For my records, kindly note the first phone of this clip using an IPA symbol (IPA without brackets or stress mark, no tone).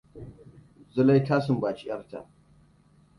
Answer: z